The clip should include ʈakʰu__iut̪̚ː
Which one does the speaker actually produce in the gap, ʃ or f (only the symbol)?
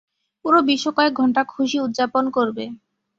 ʃ